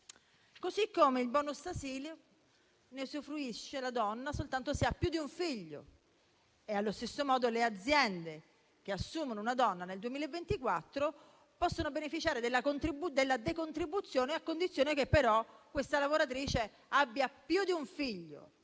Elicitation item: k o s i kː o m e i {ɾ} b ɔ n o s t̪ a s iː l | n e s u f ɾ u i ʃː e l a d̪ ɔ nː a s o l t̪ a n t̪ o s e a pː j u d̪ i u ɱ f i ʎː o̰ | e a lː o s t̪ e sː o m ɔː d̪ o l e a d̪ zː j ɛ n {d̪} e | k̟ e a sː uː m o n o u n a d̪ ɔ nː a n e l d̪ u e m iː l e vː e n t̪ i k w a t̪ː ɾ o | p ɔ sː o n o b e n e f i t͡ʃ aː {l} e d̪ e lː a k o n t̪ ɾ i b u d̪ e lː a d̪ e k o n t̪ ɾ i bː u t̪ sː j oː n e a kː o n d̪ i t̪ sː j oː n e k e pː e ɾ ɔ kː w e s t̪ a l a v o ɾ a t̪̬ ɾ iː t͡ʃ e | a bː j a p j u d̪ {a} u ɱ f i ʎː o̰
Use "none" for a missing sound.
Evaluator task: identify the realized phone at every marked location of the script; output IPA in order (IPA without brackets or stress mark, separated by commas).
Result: l, d̪, ɾ, i